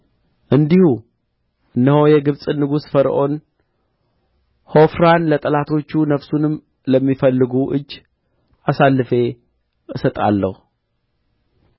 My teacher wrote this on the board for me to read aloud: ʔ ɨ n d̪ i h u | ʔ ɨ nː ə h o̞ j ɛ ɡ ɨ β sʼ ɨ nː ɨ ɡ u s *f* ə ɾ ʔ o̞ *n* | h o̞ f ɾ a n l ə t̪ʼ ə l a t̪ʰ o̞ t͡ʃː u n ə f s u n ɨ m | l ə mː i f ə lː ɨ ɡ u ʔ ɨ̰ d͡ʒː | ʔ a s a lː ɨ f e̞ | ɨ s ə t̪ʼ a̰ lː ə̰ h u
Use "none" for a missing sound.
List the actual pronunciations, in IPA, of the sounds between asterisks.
f, n

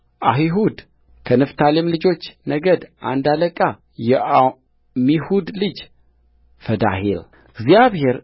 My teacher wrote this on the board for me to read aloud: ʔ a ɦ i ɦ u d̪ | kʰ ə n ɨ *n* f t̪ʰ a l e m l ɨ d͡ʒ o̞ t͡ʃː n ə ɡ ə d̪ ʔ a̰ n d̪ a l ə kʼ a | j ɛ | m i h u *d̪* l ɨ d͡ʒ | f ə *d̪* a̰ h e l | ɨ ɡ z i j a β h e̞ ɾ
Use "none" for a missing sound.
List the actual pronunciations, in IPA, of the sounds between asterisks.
none, d̪, d̪

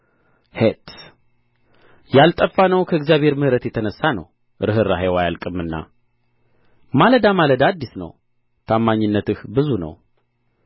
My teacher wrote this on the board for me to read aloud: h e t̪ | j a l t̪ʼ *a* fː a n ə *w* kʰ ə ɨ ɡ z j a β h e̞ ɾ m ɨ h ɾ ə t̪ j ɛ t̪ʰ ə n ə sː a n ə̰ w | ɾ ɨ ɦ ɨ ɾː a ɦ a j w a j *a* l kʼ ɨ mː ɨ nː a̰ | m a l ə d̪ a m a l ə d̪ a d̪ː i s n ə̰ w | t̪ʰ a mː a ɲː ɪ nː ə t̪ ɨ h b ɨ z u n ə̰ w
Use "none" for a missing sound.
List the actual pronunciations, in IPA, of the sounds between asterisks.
ə, w, a

